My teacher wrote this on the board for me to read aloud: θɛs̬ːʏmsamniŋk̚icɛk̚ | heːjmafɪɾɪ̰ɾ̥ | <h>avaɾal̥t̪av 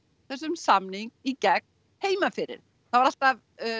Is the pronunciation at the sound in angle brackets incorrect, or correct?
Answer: incorrect